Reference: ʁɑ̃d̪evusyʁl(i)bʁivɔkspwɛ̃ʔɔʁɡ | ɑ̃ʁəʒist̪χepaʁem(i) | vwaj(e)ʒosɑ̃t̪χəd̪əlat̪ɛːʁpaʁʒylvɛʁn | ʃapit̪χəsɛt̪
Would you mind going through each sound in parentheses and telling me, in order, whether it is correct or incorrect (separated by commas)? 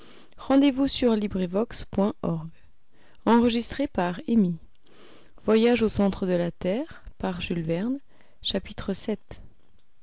correct, correct, incorrect